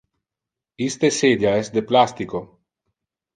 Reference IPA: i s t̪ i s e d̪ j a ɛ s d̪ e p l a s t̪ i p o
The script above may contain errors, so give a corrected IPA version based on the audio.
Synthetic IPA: i s t̪ e s e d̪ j a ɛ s d̪ e p l a s t̪ i k o